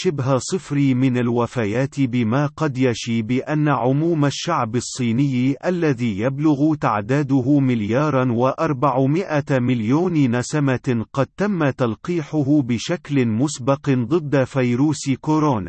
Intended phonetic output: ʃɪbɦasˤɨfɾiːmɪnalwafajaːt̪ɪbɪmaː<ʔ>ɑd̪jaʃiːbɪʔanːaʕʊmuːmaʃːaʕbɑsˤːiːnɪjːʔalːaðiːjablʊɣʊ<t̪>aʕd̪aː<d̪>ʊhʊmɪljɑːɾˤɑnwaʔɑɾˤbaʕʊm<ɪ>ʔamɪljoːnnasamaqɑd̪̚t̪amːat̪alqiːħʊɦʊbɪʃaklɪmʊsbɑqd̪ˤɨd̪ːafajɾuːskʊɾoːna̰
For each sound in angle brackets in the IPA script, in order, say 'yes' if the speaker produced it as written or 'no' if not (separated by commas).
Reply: no, yes, yes, yes